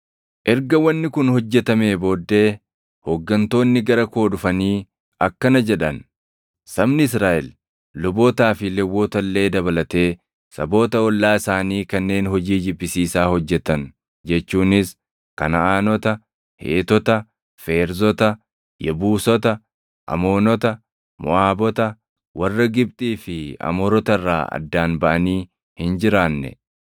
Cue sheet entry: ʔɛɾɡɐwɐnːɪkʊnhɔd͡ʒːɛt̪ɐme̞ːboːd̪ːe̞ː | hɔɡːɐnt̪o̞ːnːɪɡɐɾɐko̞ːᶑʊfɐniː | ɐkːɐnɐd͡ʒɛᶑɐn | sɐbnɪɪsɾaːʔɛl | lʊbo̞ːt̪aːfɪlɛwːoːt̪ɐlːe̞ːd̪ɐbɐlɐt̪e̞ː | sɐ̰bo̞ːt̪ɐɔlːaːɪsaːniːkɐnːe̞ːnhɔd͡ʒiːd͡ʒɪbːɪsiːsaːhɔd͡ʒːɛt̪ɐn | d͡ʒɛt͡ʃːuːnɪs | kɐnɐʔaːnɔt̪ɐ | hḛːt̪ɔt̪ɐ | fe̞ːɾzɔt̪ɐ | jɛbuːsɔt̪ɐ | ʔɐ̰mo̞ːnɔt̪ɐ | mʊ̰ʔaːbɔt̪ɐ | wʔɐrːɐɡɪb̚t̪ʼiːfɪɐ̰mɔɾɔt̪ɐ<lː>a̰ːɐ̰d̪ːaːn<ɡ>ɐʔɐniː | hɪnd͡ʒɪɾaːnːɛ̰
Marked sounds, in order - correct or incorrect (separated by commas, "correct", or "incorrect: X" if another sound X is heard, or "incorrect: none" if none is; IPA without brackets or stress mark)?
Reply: incorrect: rː, incorrect: b